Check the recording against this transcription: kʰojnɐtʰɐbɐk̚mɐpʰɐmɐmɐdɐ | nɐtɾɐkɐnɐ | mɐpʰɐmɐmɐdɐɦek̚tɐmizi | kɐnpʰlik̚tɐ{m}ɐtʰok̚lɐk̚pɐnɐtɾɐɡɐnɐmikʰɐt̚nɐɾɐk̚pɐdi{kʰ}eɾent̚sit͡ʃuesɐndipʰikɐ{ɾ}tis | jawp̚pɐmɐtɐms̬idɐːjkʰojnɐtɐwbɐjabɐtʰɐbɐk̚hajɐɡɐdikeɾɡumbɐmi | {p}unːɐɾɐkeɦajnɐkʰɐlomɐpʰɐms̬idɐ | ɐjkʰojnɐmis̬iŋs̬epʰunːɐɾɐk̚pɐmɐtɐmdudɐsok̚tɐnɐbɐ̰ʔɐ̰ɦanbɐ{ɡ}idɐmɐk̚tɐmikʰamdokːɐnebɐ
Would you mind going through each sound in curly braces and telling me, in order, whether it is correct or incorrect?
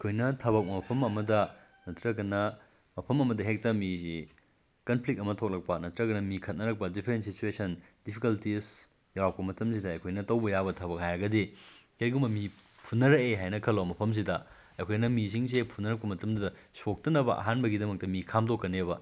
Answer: correct, incorrect, incorrect, incorrect, correct

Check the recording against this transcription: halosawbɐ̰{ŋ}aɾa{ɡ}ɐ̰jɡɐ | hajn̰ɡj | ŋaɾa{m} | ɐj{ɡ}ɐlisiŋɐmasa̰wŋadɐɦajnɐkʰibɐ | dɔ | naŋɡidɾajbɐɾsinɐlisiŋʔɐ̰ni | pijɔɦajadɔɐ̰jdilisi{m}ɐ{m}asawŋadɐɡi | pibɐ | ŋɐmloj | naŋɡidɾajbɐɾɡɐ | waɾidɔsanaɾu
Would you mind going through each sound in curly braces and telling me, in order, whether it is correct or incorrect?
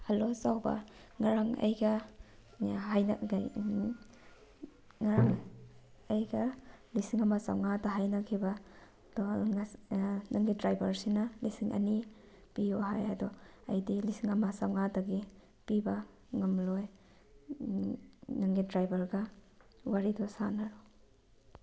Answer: correct, incorrect, incorrect, correct, incorrect, correct

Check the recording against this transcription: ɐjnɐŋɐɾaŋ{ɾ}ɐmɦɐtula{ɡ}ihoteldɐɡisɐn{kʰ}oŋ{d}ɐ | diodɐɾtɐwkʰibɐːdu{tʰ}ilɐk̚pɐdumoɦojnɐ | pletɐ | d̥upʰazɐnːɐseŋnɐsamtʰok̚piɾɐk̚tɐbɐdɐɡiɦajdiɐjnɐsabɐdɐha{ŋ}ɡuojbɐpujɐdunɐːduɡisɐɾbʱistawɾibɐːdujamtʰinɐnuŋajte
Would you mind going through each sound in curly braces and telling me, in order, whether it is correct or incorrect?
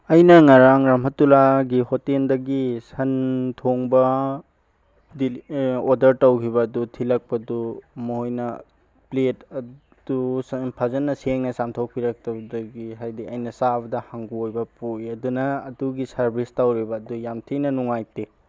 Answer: correct, correct, incorrect, incorrect, correct, correct

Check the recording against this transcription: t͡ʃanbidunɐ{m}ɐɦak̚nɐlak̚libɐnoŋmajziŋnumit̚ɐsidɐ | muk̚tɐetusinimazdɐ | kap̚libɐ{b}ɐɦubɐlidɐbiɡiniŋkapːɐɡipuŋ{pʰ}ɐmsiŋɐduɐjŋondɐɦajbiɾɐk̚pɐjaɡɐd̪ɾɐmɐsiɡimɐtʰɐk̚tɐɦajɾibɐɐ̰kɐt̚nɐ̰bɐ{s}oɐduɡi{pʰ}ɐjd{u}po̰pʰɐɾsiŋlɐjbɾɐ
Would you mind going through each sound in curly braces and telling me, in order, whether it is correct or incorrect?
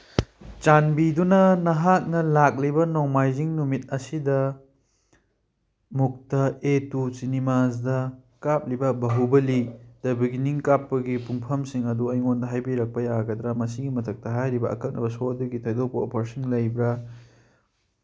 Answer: incorrect, correct, correct, correct, incorrect, incorrect

